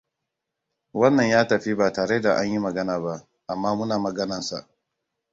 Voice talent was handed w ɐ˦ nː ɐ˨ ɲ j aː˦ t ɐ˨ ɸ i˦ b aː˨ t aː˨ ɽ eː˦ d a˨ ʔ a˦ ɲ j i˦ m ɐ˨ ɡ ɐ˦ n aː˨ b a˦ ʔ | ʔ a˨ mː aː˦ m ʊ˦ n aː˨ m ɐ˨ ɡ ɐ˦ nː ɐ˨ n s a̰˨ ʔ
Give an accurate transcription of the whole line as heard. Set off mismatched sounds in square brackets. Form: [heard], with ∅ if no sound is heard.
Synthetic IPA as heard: w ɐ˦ nː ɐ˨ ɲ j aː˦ t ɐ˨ ɸ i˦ b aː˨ t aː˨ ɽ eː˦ d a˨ ʔ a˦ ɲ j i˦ m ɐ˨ ɡ ɐ˦ n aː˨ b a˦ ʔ | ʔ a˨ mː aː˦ m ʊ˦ n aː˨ m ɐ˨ ɡ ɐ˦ [n] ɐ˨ n s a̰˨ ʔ